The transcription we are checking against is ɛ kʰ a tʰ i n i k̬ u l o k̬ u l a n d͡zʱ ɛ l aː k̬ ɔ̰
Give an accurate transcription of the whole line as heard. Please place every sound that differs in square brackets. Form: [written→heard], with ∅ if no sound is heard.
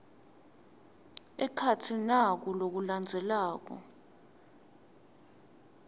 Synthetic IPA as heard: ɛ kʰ a tʰ i n [i→a] k̬ u l o k̬ u l a n d͡zʱ ɛ l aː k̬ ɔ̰